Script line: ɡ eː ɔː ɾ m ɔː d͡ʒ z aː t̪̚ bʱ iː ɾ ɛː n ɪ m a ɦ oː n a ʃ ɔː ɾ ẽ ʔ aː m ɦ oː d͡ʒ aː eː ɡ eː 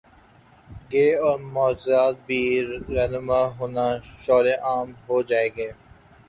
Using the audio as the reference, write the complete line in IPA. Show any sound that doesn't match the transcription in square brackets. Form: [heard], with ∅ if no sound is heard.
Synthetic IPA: ɡ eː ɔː ɾ m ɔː d͡ʒ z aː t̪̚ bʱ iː ɾ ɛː n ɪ m a ɦ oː n a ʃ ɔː ɾ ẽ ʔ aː m ɦ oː d͡ʒ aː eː ɡ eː